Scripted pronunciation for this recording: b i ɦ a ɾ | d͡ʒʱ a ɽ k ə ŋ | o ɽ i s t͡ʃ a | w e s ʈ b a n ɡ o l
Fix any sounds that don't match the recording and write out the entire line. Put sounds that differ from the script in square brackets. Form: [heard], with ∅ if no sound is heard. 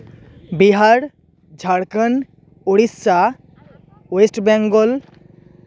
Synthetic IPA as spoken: b i ɦ a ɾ | d͡ʒʱ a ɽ k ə [n] | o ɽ i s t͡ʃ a | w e s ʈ b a [ŋ] ɡ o l